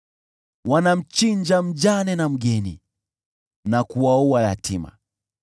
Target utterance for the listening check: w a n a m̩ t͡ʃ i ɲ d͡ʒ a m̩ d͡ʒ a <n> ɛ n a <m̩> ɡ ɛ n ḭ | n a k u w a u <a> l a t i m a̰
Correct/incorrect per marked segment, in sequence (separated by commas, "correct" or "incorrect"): correct, correct, correct